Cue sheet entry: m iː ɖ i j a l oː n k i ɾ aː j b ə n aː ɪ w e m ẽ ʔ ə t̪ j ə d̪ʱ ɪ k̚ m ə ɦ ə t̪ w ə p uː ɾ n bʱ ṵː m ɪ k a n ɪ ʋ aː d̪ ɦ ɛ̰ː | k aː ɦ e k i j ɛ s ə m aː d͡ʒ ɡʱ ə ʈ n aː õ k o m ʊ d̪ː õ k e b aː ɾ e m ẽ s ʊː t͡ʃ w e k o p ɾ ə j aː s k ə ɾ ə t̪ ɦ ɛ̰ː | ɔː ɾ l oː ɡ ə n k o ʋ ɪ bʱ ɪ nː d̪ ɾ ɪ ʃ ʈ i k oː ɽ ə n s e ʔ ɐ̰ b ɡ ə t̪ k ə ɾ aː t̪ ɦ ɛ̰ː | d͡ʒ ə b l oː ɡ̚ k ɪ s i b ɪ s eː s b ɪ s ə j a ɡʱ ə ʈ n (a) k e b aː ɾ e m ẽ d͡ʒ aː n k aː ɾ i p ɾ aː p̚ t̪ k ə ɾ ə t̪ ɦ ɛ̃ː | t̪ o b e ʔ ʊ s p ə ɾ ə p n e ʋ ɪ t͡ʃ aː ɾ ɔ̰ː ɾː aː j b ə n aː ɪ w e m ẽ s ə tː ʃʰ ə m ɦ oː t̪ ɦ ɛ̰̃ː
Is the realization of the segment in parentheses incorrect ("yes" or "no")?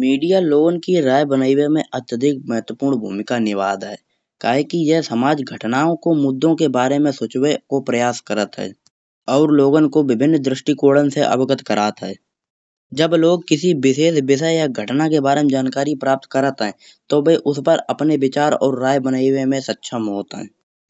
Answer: no